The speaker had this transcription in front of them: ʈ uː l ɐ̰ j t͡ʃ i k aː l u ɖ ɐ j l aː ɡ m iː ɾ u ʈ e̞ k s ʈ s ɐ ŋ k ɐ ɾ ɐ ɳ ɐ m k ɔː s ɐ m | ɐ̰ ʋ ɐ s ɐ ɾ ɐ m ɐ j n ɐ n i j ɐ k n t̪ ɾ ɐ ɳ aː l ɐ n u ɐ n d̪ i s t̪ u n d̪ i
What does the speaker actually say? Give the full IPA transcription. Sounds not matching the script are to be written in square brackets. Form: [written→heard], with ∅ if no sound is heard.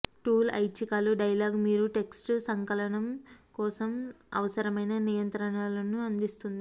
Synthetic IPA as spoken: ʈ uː l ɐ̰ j t͡ʃ i k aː l u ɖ ɐ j l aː ɡ m iː ɾ u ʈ e̞ k s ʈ s ɐ ŋ k ɐ [ɾ→l] ɐ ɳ ɐ m k ɔː s ɐ m | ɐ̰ ʋ ɐ s ɐ ɾ ɐ m ɐ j n ɐ n i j ɐ [k→∅] n t̪ ɾ ɐ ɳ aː l ɐ n u ɐ n d̪ i s t̪ u n d̪ i